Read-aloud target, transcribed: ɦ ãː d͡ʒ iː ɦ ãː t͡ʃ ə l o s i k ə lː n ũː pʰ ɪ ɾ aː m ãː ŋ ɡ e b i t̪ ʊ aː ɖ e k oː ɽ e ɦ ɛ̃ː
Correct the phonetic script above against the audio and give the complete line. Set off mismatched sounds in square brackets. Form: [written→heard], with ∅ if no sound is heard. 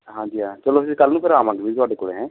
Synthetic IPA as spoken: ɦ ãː d͡ʒ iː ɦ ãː t͡ʃ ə l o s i k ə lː n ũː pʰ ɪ ɾ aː m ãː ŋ ɡ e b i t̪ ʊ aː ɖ e k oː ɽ e ɦ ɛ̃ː